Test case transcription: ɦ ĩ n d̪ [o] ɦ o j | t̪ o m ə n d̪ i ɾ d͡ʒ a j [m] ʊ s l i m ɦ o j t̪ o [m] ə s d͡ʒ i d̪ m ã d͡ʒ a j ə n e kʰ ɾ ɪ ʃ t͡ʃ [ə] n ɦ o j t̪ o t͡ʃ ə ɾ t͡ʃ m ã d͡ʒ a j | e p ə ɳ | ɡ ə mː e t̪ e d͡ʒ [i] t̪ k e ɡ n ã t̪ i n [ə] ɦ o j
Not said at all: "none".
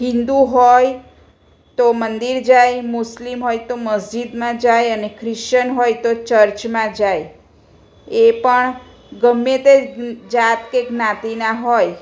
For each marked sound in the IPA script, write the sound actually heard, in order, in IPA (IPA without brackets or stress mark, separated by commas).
u, m, m, ə, a, a